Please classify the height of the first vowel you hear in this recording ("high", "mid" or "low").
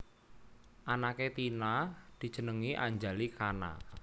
low